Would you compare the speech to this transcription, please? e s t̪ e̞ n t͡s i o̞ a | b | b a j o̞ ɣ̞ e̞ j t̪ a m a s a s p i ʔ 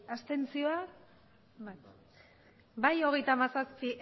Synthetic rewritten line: a s t̪ e̞ n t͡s i o̞ a | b | b a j o̞ ɣ̞ e̞ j t̪ a m a s a s p i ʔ